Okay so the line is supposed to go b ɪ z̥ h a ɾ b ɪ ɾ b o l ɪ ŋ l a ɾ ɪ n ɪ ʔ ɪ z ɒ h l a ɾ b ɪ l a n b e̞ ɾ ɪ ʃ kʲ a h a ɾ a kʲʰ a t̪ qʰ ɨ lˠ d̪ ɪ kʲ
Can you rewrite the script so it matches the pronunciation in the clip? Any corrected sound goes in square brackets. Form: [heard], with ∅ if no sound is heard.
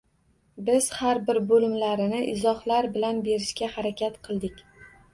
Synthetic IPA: b ɪ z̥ h a ɾ b ɪ ɾ b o l ɪ [m] l a ɾ ɪ n ɪ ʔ ɪ z ɒ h l a ɾ b ɪ l a n b e̞ ɾ ɪ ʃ kʲ a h a ɾ a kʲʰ a t̪ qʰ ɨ lˠ d̪ ɪ kʲ